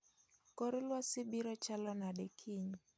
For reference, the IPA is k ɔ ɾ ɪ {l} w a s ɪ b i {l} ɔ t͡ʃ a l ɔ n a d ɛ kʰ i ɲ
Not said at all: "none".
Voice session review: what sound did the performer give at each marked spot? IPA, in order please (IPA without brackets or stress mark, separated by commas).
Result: l, ɾ